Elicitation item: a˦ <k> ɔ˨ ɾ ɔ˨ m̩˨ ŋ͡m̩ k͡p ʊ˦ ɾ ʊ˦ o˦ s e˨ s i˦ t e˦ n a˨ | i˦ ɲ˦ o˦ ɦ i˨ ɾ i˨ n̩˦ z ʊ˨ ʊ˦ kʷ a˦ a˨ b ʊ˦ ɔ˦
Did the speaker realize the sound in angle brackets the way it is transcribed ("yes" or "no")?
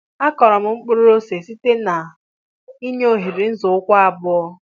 yes